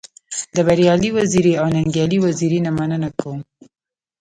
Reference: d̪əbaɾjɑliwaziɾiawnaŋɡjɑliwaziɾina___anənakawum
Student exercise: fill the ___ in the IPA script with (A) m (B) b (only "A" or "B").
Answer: A